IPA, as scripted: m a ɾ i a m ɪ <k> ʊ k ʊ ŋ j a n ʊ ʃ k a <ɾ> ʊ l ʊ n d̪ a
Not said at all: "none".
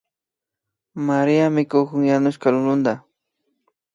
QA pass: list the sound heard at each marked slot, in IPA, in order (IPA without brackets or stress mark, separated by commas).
k, l